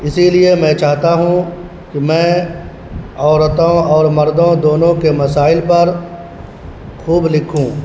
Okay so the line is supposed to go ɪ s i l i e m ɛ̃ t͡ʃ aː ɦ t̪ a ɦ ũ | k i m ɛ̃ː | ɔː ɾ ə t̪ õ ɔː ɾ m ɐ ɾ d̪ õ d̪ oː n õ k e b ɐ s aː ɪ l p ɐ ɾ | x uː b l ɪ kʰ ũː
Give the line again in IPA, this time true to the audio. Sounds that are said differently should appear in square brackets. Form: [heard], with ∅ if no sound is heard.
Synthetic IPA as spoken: ɪ s i l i e m ɛ̃ t͡ʃ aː ɦ t̪ a ɦ ũ | k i m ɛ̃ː | ɔː ɾ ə t̪ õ ɔː ɾ m ɐ ɾ d̪ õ d̪ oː n õ k e [m] ɐ s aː ɪ l p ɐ ɾ | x uː b l ɪ kʰ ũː